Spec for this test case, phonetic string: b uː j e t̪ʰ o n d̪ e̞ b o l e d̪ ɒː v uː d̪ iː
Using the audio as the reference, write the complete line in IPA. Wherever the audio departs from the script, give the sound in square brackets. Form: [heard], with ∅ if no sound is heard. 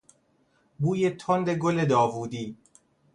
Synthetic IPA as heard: b uː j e t̪ʰ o n d̪ e̞ [ɡ] o l e d̪ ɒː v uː d̪ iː